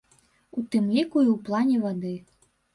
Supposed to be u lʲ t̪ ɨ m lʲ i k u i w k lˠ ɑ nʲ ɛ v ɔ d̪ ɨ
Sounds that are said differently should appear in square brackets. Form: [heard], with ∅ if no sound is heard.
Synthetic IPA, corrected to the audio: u [∅] t̪ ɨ m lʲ i k u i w [p] lˠ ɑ nʲ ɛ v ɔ d̪ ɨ